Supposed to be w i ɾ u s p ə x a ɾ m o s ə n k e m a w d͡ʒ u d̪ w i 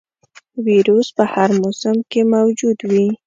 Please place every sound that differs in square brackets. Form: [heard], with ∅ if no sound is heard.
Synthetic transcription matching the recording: w i ɾ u s p ə [h] a ɾ m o s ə [m] k e m a w d͡ʒ u d̪ w i